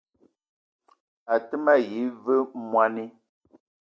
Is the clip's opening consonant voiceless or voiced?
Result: voiceless